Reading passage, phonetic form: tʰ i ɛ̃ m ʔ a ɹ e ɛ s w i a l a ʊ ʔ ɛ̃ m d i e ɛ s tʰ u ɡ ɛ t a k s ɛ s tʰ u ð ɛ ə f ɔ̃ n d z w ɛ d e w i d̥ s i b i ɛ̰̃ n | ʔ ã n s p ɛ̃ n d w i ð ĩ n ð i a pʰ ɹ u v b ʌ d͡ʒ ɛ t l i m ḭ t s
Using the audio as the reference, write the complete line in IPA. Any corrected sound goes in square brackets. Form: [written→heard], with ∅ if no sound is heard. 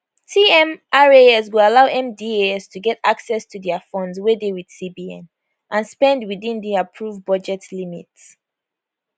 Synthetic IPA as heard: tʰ i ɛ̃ m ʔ a ɹ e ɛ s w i a l a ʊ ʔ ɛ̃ m d i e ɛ s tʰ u ɡ ɛ t a k s ɛ s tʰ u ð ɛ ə f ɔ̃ n d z w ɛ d e w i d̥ s i b i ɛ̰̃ n | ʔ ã n s p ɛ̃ n d w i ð ĩ n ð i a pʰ ɹ u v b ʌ d͡ʒ ɛ t l i m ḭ t s